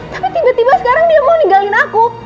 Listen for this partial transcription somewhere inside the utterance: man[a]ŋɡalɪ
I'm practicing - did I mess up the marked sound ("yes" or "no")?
yes